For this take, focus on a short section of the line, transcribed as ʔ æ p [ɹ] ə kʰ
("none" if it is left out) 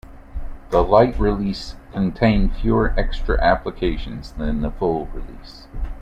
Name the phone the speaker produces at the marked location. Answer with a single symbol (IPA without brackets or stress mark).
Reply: l